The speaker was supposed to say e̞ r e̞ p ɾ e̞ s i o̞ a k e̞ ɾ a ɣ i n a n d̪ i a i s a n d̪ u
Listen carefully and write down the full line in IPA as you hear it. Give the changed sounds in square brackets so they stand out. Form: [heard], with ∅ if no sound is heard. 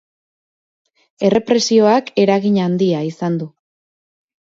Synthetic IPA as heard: e̞ r e̞ p ɾ e̞ s i o̞ a k e̞ ɾ a ɣ i [ɲ] a n d̪ i a i s a n d̪ u